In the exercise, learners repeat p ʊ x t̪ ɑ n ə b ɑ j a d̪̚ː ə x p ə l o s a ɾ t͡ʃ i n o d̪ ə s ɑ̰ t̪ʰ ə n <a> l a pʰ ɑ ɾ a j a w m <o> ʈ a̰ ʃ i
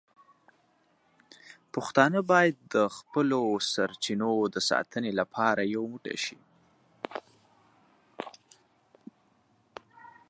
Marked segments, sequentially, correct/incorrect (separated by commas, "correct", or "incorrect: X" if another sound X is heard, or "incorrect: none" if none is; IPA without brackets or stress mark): incorrect: e, incorrect: u